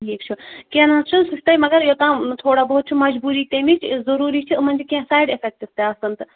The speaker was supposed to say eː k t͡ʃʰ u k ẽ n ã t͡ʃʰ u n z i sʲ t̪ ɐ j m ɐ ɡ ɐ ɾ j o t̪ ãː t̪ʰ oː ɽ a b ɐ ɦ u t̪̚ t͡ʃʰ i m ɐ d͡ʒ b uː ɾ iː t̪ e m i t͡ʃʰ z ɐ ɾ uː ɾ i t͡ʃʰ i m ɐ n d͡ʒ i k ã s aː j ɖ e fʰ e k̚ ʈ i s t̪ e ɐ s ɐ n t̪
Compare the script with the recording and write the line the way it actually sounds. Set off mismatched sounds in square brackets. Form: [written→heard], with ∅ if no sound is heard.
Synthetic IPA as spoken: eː k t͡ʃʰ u k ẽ n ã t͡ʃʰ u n [z→s] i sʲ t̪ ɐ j m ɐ ɡ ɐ ɾ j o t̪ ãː t̪ʰ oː ɽ a b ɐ ɦ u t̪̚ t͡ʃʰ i m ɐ d͡ʒ b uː ɾ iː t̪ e m i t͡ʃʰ z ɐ ɾ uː ɾ i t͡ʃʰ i m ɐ n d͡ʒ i k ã s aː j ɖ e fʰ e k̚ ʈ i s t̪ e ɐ s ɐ n t̪

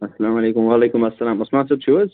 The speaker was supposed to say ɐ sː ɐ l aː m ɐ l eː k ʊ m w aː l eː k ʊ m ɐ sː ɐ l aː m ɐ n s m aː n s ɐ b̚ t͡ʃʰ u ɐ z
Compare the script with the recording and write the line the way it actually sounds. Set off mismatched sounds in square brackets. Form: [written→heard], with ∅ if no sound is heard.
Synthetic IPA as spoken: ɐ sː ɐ l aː m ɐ l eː k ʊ m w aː l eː k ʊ m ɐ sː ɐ l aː m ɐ [n→∅] s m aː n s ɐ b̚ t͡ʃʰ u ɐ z

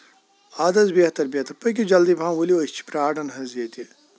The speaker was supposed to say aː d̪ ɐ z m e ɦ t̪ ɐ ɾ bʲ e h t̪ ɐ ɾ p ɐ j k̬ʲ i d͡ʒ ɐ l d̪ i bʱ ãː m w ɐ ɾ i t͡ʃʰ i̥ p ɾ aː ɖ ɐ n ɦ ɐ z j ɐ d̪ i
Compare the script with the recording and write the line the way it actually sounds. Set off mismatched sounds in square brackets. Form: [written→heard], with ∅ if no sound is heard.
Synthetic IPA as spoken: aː d̪ ɐ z [m→b] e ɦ t̪ ɐ ɾ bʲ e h t̪ ɐ ɾ p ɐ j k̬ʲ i d͡ʒ ɐ l d̪ i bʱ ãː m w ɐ [ɾ→l] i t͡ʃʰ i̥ p ɾ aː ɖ ɐ n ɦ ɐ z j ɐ [d̪→t̪] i

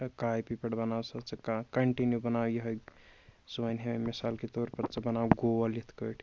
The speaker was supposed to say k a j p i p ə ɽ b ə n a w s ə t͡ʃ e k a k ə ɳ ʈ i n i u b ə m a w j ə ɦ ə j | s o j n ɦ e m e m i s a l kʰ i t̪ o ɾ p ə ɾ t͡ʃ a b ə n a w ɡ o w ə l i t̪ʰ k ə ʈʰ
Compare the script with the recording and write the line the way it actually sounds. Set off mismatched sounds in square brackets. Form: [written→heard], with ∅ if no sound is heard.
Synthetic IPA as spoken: k a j p i p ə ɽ b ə n a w s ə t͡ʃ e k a k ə ɳ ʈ i n [i→j] u b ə [m→n] a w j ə ɦ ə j | s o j n ɦ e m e m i s a l [kʰ→k] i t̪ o ɾ p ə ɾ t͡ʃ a b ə n a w ɡ o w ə l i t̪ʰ k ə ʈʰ

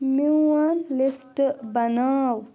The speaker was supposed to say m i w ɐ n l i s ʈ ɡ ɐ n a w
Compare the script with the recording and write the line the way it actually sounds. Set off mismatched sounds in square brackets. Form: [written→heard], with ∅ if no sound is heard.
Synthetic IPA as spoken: m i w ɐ n l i s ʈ [ɡ→b] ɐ n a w

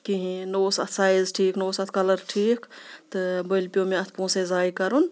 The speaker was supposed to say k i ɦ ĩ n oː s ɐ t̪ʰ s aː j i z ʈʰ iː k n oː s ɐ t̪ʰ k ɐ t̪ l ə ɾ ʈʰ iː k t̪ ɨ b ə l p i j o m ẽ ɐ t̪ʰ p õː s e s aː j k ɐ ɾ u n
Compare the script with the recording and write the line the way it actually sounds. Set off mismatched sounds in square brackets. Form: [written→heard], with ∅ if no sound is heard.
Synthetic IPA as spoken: k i ɦ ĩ n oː s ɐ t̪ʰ s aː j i z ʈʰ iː k n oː s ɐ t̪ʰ k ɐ [t̪→∅] l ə ɾ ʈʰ iː k t̪ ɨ b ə l p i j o m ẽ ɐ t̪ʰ p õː s e [s→z] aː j k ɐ ɾ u n

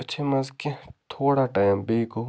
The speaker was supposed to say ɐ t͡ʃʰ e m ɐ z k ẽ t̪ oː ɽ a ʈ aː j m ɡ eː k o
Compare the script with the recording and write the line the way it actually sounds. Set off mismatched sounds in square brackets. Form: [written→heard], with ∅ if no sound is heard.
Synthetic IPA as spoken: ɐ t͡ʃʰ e m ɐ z k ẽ [t̪→t̪ʰ] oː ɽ a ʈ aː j m [ɡ→b] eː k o

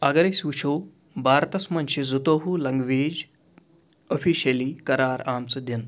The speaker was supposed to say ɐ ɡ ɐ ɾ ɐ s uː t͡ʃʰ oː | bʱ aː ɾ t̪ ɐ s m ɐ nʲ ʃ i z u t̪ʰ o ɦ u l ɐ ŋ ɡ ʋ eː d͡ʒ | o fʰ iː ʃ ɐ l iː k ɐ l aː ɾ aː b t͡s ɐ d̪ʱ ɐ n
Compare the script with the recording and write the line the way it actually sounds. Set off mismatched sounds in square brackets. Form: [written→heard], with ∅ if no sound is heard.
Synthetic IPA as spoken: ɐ ɡ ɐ ɾ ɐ s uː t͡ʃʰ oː | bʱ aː ɾ t̪ ɐ s m ɐ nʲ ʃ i z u [t̪ʰ→t̪] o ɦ u l ɐ ŋ ɡ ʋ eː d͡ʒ | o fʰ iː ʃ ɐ l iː k ɐ [l→ɾ] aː ɾ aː [b→m] t͡s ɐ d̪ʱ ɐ n

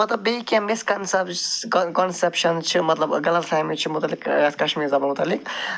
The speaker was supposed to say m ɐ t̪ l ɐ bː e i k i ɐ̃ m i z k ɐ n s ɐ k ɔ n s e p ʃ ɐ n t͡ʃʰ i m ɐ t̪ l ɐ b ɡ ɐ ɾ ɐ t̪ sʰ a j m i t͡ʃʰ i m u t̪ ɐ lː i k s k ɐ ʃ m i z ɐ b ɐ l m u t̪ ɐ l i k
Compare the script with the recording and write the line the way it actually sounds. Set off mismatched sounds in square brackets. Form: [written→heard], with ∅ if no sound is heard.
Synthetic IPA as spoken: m ɐ t̪ l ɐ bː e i k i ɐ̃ m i [z→s] k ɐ n s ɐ k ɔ n s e p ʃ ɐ n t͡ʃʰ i m ɐ t̪ l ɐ b ɡ ɐ [ɾ→l] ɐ t̪ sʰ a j m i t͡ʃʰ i m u t̪ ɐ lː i k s k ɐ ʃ m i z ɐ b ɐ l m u t̪ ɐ l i k

